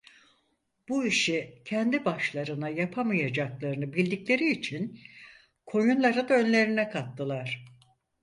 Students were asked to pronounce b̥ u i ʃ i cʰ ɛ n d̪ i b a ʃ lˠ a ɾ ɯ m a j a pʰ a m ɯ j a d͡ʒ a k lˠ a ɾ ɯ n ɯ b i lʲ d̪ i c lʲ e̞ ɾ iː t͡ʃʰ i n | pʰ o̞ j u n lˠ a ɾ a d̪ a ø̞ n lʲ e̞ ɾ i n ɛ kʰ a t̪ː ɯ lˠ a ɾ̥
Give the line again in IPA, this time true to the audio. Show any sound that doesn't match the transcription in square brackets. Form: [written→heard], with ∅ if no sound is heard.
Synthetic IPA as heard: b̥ u i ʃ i cʰ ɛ n d̪ i b a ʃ lˠ a ɾ ɯ [m→n] a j a pʰ a m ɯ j a d͡ʒ a k lˠ a ɾ ɯ n ɯ b i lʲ d̪ i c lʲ e̞ ɾ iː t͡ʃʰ i n | [pʰ→kʰ] o̞ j u n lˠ a ɾ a d̪ a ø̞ n lʲ e̞ ɾ i n ɛ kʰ a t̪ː ɯ lˠ a ɾ̥